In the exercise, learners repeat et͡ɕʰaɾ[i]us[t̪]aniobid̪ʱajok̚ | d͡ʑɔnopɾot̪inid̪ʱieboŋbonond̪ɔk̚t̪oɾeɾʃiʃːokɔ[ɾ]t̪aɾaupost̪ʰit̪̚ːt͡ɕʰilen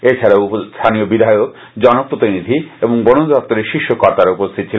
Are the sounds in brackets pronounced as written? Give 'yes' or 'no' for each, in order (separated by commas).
no, no, yes